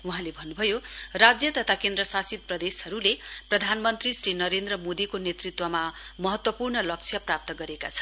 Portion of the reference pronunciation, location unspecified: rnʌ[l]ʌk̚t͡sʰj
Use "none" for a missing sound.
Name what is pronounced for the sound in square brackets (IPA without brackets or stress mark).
l